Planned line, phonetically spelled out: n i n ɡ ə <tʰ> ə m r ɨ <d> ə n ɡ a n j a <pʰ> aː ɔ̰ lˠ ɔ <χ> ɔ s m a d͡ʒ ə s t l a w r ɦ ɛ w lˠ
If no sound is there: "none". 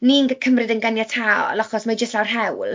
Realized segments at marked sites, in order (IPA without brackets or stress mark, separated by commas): kʰ, d, tʰ, χ